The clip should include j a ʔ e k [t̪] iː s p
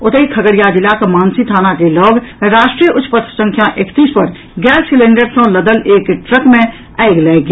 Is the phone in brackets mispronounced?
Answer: no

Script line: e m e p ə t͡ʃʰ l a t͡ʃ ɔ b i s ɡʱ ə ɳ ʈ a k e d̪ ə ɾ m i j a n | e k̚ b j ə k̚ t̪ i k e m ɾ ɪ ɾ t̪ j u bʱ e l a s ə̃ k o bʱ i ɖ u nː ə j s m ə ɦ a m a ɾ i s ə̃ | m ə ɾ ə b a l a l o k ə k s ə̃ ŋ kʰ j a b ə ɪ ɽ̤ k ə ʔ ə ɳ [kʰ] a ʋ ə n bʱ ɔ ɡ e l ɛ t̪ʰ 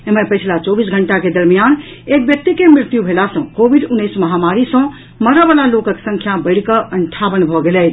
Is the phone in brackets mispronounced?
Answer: yes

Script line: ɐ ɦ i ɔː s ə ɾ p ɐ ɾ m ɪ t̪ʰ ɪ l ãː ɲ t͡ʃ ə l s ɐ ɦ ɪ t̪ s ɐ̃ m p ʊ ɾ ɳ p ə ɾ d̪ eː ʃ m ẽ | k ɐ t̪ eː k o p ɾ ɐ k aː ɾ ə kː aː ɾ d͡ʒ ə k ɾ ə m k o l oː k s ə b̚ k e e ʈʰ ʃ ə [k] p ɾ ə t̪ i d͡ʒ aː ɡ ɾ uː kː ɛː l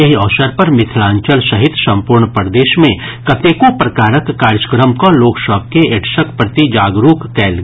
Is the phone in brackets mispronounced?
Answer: no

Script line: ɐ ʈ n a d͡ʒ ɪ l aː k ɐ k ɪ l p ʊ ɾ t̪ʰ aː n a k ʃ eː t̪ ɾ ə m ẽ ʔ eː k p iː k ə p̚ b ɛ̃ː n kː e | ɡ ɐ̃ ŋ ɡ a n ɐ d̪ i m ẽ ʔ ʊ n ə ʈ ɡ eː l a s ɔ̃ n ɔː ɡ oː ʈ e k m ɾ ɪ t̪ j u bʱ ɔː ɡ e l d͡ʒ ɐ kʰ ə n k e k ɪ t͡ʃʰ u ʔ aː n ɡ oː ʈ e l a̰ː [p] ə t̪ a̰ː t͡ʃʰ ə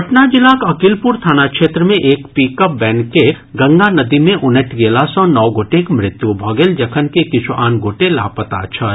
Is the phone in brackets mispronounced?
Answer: no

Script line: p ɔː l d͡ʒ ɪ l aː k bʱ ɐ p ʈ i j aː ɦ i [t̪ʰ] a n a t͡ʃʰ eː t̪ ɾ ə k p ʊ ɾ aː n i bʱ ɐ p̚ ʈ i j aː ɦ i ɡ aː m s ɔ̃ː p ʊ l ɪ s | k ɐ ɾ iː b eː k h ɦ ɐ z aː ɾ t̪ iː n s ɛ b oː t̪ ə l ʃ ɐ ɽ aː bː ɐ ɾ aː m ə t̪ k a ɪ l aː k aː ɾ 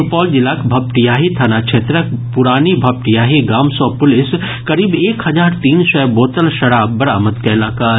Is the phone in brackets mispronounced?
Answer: no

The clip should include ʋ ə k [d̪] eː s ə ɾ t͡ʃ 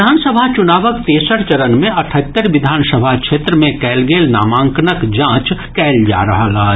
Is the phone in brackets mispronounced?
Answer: yes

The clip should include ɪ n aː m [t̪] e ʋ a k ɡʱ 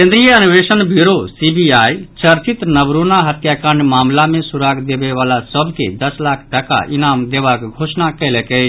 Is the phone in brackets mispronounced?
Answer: yes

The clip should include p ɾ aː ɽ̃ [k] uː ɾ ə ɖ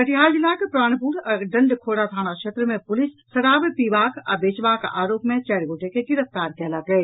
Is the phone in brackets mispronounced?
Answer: yes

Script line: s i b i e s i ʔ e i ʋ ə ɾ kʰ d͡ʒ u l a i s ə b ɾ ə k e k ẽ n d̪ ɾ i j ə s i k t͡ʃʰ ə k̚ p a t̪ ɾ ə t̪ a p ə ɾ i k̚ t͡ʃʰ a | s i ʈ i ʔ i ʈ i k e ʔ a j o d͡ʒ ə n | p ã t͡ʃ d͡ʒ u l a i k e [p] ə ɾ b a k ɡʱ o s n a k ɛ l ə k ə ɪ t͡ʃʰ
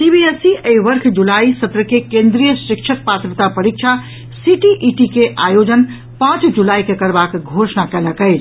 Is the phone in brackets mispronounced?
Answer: yes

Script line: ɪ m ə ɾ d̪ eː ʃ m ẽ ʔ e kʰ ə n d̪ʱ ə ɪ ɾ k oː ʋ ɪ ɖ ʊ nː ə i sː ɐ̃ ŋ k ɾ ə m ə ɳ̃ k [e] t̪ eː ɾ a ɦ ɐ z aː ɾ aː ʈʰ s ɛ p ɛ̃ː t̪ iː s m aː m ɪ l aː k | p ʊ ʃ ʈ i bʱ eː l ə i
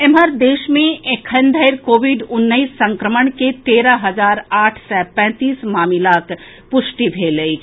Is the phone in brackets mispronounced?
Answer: no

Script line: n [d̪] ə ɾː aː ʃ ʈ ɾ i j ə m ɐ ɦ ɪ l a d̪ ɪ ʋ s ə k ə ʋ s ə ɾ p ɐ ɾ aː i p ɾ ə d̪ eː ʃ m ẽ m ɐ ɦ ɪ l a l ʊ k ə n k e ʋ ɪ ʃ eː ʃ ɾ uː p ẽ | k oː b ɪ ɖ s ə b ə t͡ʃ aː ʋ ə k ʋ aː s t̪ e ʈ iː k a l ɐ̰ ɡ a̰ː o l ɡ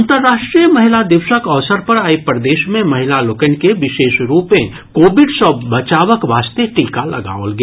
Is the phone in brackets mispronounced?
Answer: yes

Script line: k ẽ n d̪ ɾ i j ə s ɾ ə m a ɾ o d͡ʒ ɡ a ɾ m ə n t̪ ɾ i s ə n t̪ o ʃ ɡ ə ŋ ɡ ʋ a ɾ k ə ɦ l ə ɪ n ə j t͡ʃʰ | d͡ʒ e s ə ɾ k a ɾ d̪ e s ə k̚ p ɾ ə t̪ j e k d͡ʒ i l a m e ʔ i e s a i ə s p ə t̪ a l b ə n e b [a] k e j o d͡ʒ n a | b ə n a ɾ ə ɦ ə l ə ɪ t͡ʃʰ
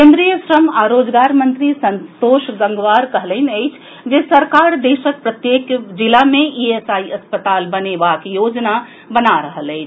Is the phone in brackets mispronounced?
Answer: no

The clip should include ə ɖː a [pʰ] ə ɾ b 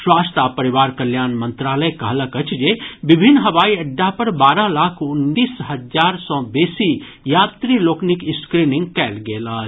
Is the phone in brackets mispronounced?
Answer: yes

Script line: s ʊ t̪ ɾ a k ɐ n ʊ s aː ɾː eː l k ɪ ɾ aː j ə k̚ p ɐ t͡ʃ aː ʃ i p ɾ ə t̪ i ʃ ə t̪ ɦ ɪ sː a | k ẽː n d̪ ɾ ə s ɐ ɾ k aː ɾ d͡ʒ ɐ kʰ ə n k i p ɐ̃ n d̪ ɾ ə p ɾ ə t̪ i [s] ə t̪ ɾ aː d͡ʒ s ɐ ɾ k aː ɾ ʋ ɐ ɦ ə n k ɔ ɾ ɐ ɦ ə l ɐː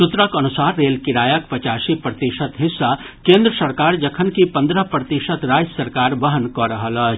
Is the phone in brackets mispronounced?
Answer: yes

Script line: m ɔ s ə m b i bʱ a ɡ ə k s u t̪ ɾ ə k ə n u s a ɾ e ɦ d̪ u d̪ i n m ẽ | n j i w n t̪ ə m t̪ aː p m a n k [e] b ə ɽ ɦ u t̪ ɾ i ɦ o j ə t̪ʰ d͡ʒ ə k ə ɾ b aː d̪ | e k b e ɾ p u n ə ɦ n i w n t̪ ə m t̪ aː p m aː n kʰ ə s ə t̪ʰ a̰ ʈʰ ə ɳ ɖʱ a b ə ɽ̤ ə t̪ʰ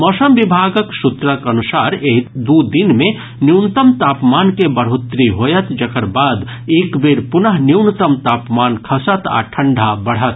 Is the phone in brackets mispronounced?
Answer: no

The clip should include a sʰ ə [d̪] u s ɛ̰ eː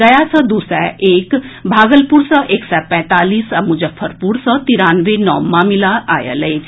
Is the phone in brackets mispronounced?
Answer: no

